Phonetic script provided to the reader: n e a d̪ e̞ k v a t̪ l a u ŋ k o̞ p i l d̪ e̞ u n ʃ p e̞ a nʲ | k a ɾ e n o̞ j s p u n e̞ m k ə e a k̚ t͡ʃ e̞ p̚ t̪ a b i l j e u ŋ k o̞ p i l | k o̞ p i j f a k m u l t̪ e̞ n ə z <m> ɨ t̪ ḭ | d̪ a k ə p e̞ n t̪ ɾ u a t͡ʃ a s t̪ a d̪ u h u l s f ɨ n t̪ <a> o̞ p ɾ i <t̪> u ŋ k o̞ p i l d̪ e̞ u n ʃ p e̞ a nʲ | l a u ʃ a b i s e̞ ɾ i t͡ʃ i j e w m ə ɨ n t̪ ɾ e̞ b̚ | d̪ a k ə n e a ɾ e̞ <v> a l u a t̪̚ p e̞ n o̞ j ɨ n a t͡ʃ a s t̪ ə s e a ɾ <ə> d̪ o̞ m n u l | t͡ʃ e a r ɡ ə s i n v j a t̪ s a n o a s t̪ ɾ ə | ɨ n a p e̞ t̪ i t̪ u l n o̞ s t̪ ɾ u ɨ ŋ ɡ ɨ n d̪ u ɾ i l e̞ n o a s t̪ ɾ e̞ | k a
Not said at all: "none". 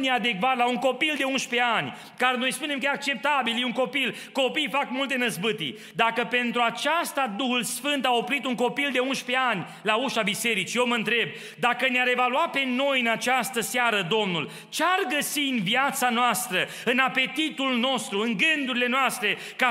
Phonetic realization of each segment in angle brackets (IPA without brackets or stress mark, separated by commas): b, a, t̪, v, ə